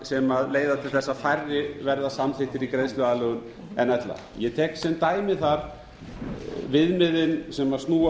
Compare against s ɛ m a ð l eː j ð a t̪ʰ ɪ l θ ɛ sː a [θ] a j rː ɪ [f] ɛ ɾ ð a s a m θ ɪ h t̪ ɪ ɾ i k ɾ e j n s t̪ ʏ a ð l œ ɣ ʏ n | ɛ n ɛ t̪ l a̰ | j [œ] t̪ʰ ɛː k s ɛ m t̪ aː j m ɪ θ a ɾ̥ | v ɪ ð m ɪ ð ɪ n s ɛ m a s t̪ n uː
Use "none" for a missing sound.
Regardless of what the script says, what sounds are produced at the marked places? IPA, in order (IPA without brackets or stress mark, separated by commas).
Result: f, v, ɛ